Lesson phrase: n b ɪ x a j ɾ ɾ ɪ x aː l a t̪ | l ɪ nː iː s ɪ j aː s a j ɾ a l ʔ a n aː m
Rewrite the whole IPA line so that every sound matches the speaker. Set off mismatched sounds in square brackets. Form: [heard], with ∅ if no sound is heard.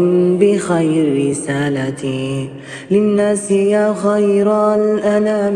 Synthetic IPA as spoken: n b ɪ x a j ɾ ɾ ɪ [s] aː l a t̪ | l ɪ nː [aː] s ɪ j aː [x] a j ɾ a l ʔ a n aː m